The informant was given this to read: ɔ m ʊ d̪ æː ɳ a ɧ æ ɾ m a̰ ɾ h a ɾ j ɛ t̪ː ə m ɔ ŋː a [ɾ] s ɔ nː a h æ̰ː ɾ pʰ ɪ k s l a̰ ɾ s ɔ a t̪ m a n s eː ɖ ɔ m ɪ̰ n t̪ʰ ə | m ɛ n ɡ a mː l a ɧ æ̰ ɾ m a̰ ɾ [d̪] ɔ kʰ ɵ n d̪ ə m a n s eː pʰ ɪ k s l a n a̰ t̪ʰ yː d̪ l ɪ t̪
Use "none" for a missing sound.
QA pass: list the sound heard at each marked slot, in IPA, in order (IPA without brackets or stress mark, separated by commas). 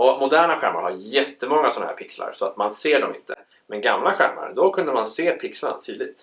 none, d̪